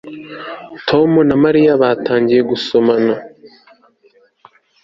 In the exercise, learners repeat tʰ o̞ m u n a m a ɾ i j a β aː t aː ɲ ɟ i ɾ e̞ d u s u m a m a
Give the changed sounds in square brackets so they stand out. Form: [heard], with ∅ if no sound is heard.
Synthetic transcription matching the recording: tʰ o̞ m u n a m a ɾ i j a β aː t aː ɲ ɟ i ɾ e̞ [ɡ] u s [o] m a [n] a